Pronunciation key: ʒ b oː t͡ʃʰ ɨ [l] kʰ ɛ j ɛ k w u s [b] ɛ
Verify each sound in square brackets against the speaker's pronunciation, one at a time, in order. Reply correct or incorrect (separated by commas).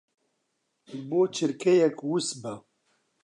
incorrect, correct